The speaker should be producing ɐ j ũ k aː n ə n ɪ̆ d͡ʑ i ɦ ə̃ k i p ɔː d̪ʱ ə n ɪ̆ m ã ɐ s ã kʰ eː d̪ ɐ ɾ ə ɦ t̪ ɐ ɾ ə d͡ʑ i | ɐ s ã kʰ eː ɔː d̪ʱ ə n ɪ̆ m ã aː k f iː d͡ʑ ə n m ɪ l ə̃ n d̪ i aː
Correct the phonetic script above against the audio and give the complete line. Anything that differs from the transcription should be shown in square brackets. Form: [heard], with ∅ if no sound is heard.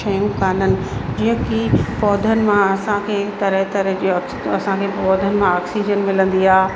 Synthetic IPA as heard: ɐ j ũ k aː n ə n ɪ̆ d͡ʑ i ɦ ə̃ k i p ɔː d̪ʱ ə n ɪ̆ m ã ɐ s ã kʰ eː [t̪] ɐ ɾ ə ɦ t̪ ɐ ɾ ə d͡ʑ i | ɐ s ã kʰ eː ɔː d̪ʱ ə n ɪ̆ m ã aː k [s] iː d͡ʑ ə n m ɪ l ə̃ n d̪ i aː